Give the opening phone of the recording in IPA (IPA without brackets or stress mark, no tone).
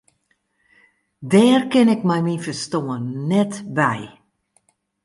d